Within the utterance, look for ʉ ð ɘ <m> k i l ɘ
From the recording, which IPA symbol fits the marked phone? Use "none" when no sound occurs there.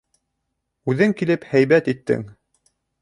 ŋ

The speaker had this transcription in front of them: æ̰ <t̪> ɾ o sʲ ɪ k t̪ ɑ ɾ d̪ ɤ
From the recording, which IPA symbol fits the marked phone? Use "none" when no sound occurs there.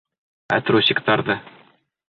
t̪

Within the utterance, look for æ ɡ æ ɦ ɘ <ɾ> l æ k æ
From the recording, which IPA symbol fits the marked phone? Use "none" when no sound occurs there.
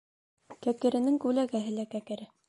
none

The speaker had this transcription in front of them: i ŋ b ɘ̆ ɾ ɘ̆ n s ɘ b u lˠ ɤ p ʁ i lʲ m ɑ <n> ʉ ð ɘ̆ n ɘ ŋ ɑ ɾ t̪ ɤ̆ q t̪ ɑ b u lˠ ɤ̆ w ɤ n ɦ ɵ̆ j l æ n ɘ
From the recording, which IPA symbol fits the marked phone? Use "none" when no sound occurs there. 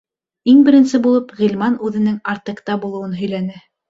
n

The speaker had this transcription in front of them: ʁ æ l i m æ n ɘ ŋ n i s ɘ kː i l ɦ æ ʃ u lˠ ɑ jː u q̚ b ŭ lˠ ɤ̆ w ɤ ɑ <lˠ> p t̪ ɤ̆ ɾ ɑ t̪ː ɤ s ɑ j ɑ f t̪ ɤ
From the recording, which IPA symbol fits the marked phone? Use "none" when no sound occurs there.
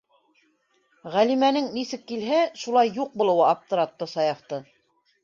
none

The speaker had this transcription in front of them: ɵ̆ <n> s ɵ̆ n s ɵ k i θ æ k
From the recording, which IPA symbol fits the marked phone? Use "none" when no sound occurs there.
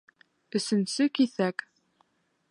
none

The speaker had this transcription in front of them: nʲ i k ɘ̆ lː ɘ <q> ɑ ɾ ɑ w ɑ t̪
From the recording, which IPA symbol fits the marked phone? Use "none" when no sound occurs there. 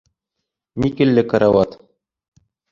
k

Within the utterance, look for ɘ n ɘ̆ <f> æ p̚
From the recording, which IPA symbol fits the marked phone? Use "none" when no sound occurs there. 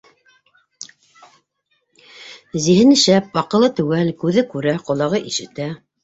ʃ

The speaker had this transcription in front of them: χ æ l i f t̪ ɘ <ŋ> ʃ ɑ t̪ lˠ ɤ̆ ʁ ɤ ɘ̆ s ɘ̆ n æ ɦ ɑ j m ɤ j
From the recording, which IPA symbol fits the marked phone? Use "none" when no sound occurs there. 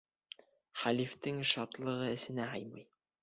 ŋ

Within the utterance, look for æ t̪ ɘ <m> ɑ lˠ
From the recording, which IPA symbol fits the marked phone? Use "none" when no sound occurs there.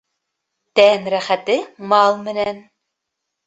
m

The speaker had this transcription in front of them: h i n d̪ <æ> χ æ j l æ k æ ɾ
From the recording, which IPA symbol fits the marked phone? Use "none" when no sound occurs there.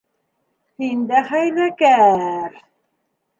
æ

